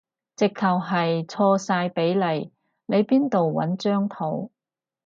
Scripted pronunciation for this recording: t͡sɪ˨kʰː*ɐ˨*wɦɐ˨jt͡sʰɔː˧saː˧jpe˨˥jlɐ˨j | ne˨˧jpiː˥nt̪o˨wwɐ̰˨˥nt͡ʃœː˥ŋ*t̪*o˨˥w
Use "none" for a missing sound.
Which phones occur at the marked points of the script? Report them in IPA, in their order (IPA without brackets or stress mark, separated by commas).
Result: ɐ˨, t̪ʰ